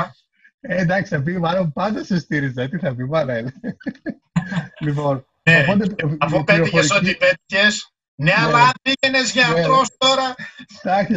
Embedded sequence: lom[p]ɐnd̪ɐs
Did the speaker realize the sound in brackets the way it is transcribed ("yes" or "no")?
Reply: yes